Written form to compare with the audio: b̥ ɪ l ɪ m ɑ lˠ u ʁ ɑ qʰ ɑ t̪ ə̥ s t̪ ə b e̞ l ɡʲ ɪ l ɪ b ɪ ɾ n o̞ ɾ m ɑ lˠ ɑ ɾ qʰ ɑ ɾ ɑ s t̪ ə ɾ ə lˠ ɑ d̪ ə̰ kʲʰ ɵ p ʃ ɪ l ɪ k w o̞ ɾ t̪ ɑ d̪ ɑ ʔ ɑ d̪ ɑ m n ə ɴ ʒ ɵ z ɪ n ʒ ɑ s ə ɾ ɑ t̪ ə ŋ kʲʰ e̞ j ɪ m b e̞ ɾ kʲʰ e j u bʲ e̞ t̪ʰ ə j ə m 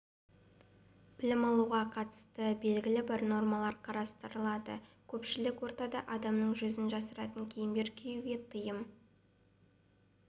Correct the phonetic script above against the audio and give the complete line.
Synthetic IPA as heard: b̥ ɪ l ɪ m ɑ lˠ u ʁ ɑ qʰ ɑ t̪ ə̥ s t̪ ə b e̞ l ɡʲ ɪ l ɪ b ɪ ɾ n o̞ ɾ m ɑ lˠ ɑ ɾ qʰ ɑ ɾ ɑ s t̪ ə ɾ ə lˠ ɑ d̪ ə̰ kʲʰ ɵ p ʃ ɪ l ɪ k w o̞ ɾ t̪ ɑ d̪ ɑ ʔ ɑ d̪ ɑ m n ə ɴ ʒ ɵ z ɪ n ʒ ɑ s ə ɾ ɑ t̪ ə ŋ kʲʰ e̞ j ɪ m b e̞ ɾ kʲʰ e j u ɡʲ e̞ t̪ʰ ə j ə m

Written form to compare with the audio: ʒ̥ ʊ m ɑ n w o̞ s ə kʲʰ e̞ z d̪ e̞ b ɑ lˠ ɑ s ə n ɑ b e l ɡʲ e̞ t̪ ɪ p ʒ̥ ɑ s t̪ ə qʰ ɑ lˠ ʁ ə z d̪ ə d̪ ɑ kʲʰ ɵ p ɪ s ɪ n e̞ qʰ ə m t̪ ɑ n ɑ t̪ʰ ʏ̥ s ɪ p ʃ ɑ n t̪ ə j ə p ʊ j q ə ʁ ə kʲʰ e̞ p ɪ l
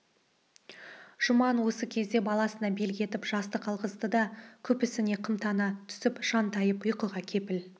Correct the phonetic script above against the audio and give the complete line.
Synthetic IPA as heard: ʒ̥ ʊ m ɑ n w o̞ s ə kʲʰ e̞ z d̪ e̞ b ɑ lˠ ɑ s ə n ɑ b e l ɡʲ e̞ t̪ ɪ p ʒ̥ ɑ s t̪ ə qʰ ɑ lˠ ʁ ə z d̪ ə d̪ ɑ kʲʰ ɵ p ɪ s ɪ n e̞ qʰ ə m t̪ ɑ n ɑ t̪ʰ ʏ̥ s ɪ p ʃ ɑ n t̪ ɑ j ə p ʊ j q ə ʁ ɑ kʲʰ e̞ p ɪ l

